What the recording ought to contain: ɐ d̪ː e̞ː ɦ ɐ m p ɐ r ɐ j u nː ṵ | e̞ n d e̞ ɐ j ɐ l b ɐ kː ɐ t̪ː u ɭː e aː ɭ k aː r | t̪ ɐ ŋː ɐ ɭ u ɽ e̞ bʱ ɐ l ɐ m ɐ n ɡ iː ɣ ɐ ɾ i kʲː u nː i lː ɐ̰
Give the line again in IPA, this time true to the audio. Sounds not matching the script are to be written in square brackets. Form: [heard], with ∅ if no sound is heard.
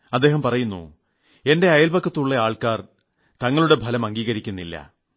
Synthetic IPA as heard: ɐ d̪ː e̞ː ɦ ɐ m p ɐ r ɐ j u nː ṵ | e̞ n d e̞ ɐ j ɐ l b ɐ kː ɐ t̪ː u ɭː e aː ɭ k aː r | t̪ ɐ ŋː ɐ ɭ u ɽ e̞ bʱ ɐ l ɐ m ɐ [ŋ] ɡ iː ɣ ɐ ɾ i kʲː u nː i lː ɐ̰